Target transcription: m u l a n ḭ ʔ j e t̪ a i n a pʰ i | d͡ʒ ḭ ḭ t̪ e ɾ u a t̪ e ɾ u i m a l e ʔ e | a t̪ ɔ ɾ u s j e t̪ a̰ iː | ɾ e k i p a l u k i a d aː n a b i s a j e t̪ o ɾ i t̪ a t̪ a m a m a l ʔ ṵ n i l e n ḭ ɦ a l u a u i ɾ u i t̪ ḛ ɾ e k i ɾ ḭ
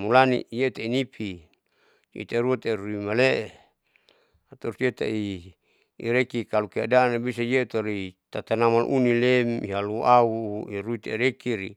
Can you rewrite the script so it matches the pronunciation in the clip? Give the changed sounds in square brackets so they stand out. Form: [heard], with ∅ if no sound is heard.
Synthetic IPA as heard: m u l a n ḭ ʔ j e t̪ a i n [i] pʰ i | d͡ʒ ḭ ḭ t̪ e ɾ u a t̪ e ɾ u i m a l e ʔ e | a t̪ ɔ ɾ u s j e t̪ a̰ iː | ɾ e k i [k] a l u k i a d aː n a b i s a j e t̪ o ɾ i t̪ a t̪ a [n] a m a l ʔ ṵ n i l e [m] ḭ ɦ a l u a u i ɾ u i t̪ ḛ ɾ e k i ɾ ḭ